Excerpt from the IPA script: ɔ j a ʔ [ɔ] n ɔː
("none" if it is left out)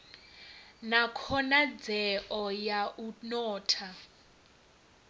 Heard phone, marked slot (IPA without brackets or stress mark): u